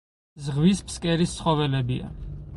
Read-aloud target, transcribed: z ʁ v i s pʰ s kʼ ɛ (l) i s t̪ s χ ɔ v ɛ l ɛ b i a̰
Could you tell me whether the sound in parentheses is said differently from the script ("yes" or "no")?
yes